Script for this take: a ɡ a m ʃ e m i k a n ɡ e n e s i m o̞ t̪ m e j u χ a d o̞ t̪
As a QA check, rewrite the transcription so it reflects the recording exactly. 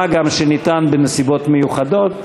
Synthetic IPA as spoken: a ɡ a m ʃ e n i t a n b e n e s i b o̞ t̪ m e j u χ a d o̞ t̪